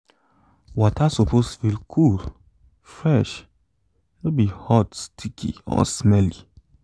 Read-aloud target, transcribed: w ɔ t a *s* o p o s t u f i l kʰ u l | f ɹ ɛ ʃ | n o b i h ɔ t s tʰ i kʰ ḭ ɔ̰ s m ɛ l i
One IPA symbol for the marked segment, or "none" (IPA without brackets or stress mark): s